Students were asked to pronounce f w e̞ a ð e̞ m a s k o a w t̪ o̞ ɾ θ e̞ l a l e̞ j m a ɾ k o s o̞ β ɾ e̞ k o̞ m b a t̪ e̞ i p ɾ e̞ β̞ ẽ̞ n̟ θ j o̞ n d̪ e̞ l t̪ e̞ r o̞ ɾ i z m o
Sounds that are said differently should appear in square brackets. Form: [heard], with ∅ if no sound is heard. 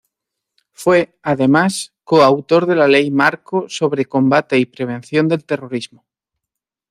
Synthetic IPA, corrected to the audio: f w e̞ a ð e̞ m a s k o a w t̪ o̞ ɾ [ð] e̞ l a l e̞ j m a ɾ k o s o̞ β ɾ e̞ k o̞ m b a t̪ e̞ i p ɾ e̞ β̞ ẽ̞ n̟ θ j o̞ n d̪ e̞ l t̪ e̞ r o̞ ɾ i z m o